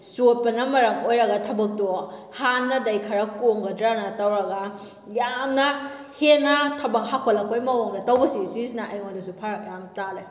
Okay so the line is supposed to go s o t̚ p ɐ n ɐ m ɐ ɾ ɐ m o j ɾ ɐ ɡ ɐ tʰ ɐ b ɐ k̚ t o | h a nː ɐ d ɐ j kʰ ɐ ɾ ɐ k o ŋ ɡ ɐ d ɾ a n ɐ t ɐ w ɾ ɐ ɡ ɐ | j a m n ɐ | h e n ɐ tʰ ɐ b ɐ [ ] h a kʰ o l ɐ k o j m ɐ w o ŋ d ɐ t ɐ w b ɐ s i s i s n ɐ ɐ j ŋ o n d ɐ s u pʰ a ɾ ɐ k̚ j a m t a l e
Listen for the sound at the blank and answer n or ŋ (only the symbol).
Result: ŋ